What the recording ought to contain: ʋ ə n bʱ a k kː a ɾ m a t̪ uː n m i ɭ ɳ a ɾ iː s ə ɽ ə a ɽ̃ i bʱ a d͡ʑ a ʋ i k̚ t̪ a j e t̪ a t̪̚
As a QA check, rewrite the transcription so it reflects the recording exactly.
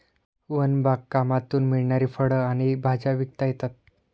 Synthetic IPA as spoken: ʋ ə n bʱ a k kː a m a t̪ uː n m i ɭ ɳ a ɾ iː f ə ɽ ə a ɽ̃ i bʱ a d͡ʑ a ʋ i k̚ t̪ a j e t̪ a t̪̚